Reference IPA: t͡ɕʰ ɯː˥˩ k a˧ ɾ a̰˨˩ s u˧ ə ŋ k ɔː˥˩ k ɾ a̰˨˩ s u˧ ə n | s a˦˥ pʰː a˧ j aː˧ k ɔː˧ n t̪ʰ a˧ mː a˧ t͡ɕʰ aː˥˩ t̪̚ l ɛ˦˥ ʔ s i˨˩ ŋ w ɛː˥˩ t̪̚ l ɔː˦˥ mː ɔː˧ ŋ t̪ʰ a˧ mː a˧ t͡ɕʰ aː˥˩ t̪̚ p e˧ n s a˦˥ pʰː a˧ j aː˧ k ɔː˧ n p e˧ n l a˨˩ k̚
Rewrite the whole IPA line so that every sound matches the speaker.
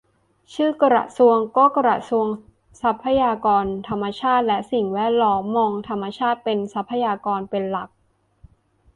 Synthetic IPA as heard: t͡ɕʰ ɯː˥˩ k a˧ ɾ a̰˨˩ s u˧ ə ŋ k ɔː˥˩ k ɾ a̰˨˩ s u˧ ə ŋ | s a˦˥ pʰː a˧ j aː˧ k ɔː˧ n t̪ʰ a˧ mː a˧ t͡ɕʰ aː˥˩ t̪̚ l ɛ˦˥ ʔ s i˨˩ ŋ w ɛː˥˩ t̪̚ l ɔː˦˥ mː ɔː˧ ŋ t̪ʰ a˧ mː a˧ t͡ɕʰ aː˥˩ t̪̚ p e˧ n s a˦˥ pʰː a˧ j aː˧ k ɔː˧ n p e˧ n l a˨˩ k̚